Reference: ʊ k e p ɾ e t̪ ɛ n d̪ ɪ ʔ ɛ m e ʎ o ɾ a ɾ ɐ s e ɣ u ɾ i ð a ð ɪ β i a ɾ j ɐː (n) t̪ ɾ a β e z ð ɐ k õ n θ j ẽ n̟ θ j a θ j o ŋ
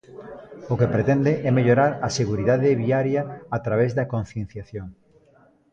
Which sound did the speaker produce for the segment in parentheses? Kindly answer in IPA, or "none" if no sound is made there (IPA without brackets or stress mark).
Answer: none